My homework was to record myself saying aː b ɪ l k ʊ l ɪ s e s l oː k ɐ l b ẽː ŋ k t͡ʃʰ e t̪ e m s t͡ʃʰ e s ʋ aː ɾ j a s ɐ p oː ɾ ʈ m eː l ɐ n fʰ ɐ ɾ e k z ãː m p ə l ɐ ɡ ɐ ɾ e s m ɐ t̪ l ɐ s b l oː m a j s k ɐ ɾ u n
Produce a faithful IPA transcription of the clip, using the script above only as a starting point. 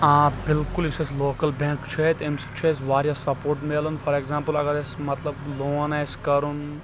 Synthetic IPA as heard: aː b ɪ l k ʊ l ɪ s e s l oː k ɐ l b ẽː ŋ k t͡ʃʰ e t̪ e m s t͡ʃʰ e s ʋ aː ɾ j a s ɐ p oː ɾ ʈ m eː l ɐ n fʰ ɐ ɾ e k z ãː m p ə l ɐ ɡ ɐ ɾ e s m ɐ t̪ l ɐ b l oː n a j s k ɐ ɾ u n